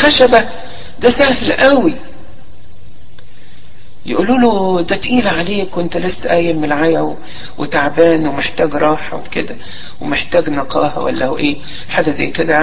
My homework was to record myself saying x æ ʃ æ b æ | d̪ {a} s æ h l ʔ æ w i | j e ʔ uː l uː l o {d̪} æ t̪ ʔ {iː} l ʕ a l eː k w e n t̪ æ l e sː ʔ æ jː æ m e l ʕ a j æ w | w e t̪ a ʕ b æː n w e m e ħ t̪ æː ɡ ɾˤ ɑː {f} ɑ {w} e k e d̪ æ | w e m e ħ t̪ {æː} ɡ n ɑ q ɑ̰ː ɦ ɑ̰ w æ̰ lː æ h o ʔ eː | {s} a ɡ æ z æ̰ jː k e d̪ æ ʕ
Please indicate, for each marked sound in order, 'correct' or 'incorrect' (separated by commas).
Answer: incorrect, correct, correct, incorrect, correct, correct, incorrect